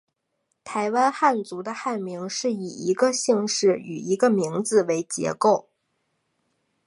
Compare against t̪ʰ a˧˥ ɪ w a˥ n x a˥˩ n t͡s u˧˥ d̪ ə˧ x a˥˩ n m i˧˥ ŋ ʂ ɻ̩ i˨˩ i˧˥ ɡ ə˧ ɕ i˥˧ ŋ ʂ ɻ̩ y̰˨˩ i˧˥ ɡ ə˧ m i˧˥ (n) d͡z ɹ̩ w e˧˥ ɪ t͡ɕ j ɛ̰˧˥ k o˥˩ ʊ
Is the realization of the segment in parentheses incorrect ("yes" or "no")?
yes